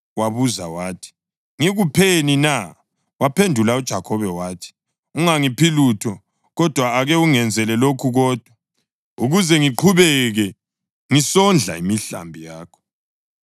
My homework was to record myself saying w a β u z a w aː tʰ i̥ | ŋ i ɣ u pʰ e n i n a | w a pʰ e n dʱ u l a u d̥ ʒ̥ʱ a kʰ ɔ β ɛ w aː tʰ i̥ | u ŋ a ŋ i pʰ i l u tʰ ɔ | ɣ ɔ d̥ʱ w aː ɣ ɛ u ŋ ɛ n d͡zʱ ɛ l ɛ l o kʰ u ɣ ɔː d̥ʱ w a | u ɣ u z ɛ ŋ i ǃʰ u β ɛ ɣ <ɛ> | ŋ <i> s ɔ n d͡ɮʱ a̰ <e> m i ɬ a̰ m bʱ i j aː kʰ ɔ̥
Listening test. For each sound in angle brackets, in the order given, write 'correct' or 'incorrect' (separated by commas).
correct, correct, incorrect